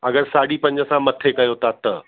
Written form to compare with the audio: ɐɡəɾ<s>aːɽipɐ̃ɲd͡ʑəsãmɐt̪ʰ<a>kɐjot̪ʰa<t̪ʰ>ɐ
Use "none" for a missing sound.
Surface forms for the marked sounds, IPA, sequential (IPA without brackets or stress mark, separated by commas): s, e, t̪